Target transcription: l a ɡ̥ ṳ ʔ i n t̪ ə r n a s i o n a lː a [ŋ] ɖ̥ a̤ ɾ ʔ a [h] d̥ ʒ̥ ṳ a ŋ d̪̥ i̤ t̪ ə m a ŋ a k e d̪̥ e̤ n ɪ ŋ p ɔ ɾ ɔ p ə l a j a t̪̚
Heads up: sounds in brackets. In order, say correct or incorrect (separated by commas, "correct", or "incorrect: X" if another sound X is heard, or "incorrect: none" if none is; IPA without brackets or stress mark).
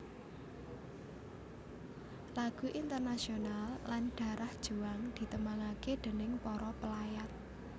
incorrect: n, correct